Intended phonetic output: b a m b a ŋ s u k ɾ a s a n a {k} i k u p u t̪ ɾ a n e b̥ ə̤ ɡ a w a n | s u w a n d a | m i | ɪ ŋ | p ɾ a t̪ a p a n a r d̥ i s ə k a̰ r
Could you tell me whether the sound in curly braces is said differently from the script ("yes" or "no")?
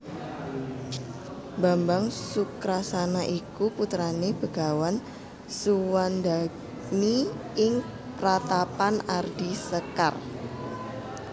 yes